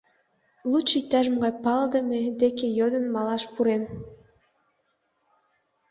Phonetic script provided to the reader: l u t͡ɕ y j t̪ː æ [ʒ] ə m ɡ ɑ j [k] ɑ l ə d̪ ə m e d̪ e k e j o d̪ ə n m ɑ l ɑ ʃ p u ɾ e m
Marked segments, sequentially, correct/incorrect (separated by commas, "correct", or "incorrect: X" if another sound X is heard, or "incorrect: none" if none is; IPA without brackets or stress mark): correct, incorrect: p